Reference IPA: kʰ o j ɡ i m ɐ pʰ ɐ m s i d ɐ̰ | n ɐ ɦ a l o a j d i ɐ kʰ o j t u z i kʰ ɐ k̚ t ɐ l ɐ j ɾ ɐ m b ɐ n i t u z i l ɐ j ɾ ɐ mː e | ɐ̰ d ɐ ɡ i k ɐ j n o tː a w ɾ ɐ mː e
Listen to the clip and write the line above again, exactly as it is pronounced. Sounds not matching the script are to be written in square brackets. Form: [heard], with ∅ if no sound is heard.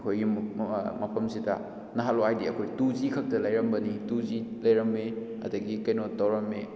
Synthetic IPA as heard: kʰ o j ɡ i m ɐ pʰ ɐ m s i d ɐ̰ | n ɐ ɦ a l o a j d i ɐ kʰ o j t u z i kʰ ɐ k̚ t ɐ l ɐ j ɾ ɐ m b ɐ n i t u z i l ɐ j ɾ ɐ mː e | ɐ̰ d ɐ ɡ i k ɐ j n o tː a w ɾ ɐ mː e